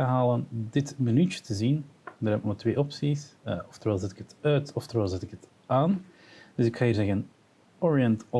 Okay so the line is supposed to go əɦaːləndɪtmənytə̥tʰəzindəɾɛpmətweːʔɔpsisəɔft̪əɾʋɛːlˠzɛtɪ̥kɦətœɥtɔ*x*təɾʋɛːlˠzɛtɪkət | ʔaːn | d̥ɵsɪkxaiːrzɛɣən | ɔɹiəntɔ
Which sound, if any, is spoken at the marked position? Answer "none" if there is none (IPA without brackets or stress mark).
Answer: f